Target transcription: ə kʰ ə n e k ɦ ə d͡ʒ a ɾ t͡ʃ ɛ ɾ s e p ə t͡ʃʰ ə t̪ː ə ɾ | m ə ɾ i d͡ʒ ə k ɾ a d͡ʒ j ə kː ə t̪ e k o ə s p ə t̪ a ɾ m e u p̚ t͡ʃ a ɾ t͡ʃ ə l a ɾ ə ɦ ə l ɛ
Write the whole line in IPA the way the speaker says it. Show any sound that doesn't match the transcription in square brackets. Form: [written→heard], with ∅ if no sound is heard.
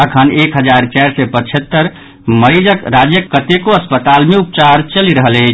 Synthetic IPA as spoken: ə kʰ ə n e k ɦ ə d͡ʒ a ɾ t͡ʃ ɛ ɾ s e p ə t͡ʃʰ ə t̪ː ə ɾ | m ə ɾ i d͡ʒ ə k ɾ a d͡ʒ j ə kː ə t̪ e k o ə s p ə t̪ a [ɾ→l] m e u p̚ t͡ʃ a ɾ t͡ʃ ə l [a→i] ɾ ə ɦ ə l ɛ